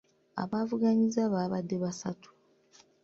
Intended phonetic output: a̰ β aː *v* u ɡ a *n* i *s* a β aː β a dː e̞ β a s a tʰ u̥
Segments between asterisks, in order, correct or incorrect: correct, incorrect: ɲ, incorrect: z

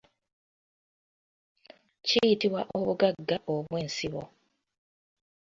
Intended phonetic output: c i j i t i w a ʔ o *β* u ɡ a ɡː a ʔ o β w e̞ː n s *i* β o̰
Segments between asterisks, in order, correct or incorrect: correct, correct

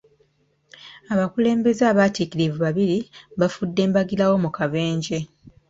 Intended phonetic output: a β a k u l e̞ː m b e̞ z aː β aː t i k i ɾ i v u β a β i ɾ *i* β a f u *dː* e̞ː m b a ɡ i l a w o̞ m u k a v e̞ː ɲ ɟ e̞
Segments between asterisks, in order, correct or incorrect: correct, correct

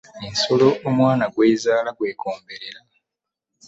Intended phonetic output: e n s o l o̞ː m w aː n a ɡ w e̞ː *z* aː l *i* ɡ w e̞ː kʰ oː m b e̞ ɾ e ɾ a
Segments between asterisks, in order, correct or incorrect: correct, incorrect: a

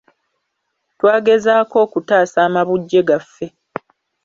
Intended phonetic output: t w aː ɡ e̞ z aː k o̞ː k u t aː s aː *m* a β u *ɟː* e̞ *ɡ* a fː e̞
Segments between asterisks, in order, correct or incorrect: correct, correct, correct

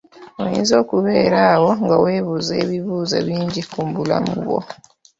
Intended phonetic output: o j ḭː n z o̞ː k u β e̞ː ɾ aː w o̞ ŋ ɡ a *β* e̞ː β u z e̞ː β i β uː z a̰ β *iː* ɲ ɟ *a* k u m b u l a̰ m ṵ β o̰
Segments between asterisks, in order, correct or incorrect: incorrect: w, correct, incorrect: i

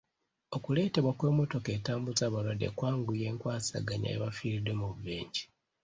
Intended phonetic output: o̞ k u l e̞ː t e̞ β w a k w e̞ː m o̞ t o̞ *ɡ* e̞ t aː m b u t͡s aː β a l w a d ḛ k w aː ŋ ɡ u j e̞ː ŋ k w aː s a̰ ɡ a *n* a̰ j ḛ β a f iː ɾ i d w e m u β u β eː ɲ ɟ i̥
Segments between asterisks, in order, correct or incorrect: incorrect: k, incorrect: ɲ

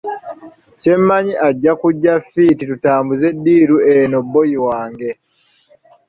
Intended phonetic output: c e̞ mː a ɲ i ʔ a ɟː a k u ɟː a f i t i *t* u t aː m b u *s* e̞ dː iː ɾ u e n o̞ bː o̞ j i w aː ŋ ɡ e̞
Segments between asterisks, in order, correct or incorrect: correct, incorrect: z

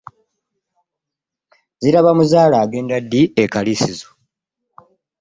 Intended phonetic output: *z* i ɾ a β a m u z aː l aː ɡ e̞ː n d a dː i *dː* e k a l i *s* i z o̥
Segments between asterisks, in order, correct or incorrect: correct, incorrect: none, correct

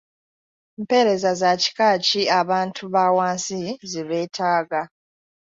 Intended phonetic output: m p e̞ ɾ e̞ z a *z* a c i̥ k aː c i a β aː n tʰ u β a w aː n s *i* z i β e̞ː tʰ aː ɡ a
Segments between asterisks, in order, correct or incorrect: correct, correct

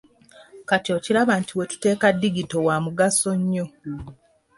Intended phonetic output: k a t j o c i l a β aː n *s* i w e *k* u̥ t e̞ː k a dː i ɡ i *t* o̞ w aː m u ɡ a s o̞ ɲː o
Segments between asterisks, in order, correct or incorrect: incorrect: t, incorrect: t, correct

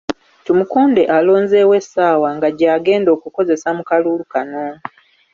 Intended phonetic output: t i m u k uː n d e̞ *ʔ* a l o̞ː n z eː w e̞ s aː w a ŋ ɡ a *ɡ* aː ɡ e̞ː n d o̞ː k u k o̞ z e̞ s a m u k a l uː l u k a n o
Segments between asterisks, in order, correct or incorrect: correct, incorrect: ɟ

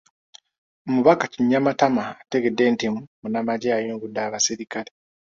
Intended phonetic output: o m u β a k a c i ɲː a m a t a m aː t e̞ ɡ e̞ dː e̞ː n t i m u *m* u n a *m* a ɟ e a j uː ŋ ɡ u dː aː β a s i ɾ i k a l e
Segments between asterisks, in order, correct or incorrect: correct, correct

